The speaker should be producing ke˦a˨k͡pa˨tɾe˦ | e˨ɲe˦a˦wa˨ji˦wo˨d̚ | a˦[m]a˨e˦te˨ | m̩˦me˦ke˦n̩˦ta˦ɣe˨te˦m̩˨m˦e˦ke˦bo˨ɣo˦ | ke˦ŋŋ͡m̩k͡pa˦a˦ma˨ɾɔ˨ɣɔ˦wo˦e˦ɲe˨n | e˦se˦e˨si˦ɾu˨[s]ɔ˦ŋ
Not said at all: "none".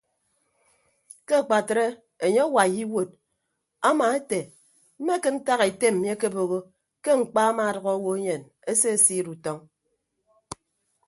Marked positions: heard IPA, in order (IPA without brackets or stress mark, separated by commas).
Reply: m, t